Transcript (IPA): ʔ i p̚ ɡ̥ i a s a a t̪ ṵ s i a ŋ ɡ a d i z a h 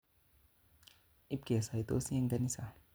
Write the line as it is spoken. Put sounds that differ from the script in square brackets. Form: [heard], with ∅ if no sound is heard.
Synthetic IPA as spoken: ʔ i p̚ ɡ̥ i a s a [i] t̪ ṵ s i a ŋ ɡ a [n] i [s] a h